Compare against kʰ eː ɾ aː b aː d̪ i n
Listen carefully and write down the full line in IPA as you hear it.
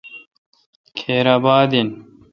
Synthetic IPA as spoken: kʰ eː ɾ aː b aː d̪ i n